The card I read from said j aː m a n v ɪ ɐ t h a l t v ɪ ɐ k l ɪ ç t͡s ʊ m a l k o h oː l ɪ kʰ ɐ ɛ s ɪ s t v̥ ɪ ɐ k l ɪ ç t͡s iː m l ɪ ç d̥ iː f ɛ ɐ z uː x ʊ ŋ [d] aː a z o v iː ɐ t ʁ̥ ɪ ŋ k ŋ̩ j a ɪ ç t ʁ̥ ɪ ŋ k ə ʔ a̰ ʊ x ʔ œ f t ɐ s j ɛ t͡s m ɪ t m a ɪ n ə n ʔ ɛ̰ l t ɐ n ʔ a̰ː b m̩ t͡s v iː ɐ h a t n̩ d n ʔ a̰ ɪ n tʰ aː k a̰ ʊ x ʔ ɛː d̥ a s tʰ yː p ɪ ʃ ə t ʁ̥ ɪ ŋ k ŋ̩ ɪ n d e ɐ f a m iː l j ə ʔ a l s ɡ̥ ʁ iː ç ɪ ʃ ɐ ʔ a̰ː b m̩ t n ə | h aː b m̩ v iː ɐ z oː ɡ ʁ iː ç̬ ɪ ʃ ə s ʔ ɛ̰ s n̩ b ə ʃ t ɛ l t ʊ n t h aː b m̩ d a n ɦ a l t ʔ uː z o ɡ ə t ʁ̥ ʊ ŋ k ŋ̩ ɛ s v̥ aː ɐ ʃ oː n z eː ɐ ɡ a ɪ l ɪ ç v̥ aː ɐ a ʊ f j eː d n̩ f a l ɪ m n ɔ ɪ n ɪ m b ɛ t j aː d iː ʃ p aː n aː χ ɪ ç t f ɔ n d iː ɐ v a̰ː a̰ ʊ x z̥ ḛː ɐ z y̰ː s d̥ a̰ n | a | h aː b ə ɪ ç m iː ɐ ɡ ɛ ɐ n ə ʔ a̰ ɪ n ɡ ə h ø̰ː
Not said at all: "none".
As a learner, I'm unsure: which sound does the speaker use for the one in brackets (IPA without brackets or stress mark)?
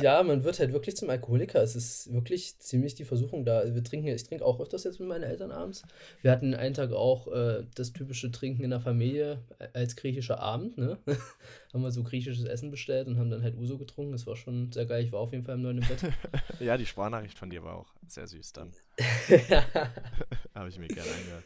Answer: d